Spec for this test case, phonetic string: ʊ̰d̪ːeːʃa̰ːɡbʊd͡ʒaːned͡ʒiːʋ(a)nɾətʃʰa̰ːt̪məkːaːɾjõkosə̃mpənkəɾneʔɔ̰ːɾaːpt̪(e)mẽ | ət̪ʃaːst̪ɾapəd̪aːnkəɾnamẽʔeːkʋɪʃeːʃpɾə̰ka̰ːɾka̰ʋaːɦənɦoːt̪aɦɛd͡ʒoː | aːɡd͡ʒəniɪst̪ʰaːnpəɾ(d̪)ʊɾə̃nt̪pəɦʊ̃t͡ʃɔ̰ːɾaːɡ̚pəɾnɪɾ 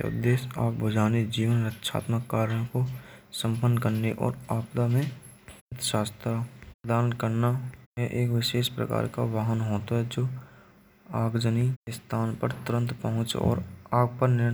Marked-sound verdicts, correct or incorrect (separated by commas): incorrect, incorrect, incorrect